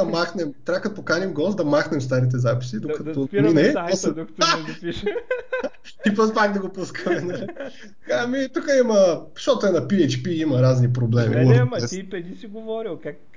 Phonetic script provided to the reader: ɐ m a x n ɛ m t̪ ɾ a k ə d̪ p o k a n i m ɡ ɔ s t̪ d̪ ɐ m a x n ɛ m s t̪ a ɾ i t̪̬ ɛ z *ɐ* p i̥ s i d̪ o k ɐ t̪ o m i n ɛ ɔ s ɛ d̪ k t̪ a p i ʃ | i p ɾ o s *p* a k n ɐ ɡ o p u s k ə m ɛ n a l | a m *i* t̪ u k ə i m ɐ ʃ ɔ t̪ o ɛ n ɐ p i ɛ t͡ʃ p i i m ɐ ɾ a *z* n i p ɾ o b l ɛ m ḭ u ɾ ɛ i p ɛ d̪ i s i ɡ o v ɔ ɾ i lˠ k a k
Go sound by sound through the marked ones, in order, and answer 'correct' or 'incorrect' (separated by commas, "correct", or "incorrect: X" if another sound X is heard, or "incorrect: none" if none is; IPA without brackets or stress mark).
incorrect: a, correct, correct, correct